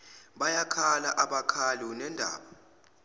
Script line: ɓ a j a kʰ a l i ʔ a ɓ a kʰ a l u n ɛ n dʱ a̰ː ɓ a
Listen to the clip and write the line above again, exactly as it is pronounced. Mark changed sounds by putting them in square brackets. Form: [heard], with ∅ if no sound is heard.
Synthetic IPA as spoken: ɓ a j a kʰ a l [a] ʔ a ɓ a kʰ a l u n ɛ n dʱ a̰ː ɓ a